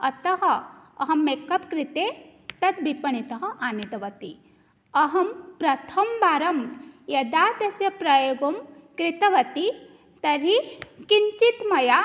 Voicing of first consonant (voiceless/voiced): voiceless